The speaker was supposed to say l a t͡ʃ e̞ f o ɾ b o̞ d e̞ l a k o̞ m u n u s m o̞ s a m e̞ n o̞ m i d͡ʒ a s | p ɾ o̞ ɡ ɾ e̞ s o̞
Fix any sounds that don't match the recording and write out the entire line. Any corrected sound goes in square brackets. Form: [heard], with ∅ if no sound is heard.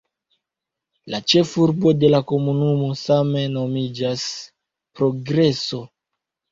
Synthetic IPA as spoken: l a t͡ʃ e̞ f [u] ɾ b o̞ d e̞ l a k o̞ m u n u [∅] m o̞ s a m e̞ n o̞ m i d͡ʒ a s | p ɾ o̞ ɡ ɾ e̞ s o̞